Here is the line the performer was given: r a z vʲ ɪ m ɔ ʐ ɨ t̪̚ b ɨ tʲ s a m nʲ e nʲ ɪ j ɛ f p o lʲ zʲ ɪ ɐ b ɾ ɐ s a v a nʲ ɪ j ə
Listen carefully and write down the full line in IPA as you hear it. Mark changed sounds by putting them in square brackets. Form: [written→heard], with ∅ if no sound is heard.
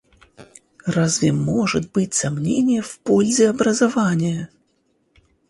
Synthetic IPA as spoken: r a z vʲ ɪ m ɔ ʐ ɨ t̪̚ b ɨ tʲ s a m nʲ e nʲ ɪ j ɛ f p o lʲ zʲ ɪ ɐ b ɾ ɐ [s→z] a v a nʲ ɪ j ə